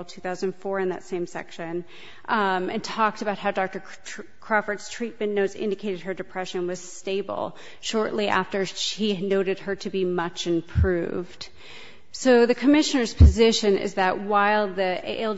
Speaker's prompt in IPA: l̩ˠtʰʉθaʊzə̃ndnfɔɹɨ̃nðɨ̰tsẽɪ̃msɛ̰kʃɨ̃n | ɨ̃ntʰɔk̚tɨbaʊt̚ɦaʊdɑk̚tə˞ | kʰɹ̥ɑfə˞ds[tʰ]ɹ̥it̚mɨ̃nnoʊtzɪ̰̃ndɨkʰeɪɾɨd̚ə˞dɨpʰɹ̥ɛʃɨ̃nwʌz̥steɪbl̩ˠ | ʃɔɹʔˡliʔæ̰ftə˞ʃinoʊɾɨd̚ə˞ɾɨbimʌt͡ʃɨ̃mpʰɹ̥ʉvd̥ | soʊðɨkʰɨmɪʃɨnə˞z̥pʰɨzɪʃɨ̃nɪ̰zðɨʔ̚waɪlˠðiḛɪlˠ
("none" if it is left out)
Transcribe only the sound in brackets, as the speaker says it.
tʰ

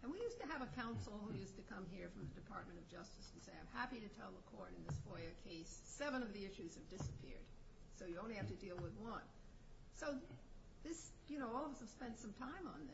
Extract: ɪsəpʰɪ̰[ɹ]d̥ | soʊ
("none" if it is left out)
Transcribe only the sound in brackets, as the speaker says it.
ɹ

